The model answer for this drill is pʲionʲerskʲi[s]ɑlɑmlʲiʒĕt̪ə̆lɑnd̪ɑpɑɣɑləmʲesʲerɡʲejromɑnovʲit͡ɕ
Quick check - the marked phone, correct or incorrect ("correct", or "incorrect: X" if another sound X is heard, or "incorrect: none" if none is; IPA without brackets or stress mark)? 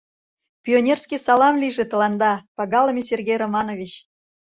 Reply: correct